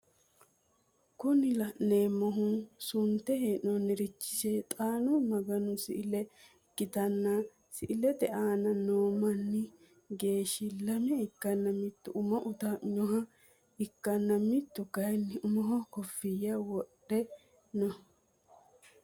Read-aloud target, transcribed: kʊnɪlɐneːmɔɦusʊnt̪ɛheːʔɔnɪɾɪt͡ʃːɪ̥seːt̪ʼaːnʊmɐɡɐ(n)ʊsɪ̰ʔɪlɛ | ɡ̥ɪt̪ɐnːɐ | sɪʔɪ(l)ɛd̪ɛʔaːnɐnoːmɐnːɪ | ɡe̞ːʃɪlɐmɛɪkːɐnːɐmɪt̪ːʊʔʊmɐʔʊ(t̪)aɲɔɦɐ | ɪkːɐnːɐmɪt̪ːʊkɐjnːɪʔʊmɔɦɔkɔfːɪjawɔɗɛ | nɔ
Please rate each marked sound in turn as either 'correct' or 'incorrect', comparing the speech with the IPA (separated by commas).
correct, correct, correct